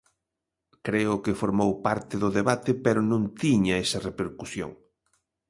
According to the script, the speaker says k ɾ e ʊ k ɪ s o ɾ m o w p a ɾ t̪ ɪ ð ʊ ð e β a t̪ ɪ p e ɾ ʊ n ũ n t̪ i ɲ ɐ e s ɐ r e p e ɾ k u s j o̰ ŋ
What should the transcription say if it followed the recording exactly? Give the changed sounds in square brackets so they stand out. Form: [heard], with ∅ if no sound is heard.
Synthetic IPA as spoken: k ɾ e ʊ k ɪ [f] o ɾ m o w p a ɾ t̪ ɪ ð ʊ ð e β a t̪ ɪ p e ɾ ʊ n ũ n t̪ i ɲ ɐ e s ɐ r e p e ɾ k u s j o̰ ŋ